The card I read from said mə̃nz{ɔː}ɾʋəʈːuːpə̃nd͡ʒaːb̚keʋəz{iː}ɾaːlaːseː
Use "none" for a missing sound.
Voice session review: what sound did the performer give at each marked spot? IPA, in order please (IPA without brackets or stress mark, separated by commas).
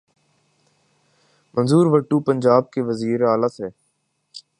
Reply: uː, iː